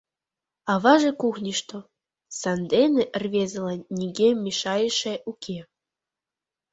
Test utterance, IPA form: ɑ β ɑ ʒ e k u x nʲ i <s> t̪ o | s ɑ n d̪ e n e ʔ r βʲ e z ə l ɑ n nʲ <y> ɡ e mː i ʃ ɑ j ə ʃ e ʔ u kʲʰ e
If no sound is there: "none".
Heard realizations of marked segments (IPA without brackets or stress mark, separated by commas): ʃ, i